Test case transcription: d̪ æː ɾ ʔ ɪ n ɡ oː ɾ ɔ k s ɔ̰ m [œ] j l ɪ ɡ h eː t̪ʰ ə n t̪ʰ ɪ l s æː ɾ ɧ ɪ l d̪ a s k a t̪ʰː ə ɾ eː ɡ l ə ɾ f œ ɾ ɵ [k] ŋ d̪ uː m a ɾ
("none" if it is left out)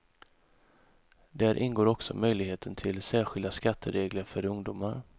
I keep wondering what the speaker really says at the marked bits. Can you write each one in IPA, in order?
œ, none

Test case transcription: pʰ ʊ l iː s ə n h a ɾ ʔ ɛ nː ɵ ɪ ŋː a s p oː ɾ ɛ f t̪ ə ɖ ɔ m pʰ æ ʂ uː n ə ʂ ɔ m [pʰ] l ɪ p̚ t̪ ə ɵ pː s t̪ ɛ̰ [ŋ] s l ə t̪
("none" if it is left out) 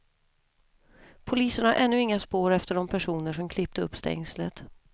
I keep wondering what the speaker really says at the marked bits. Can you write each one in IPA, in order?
kʰ, ŋ

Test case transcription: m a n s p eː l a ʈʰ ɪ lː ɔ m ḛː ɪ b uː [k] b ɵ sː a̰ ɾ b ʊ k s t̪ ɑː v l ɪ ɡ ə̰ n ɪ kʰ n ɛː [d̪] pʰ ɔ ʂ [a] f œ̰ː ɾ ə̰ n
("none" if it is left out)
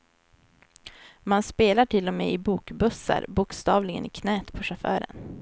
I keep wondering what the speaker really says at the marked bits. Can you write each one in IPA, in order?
k, t̪, a

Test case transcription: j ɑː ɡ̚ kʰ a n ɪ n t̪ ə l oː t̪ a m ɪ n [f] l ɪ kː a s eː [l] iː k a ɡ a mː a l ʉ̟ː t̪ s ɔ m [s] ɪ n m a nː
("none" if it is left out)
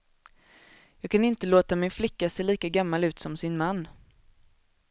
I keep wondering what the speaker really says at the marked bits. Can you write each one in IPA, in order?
f, l, s

